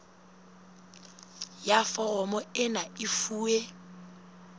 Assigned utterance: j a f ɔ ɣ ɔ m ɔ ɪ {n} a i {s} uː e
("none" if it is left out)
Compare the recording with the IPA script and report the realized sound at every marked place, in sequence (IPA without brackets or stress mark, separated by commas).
n, f